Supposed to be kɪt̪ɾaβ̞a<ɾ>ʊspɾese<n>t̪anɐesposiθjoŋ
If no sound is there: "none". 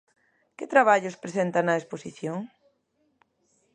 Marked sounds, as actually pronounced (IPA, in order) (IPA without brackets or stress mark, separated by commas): ʎ, n